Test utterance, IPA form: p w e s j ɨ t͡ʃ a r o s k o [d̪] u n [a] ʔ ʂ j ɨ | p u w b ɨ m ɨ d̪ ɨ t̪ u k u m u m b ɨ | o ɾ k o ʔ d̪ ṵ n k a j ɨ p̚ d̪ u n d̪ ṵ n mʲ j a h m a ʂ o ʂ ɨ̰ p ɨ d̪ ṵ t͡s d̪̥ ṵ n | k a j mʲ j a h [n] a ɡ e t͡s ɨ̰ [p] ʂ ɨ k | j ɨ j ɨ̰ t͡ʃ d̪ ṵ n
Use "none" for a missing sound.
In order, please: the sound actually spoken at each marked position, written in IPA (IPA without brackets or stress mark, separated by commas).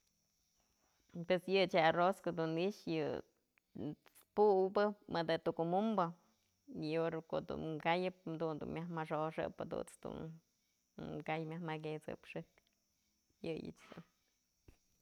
d̪, i, m, p